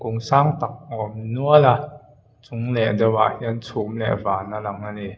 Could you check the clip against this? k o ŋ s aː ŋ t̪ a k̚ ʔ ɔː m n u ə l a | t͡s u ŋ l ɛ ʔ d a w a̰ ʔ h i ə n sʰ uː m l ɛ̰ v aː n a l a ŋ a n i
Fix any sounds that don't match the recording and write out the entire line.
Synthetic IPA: k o ŋ s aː ŋ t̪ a k̚ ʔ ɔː m n u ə l a | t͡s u ŋ l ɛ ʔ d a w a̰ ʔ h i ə n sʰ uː m l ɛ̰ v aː n a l a ŋ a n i